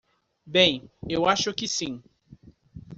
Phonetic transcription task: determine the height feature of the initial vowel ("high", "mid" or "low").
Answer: mid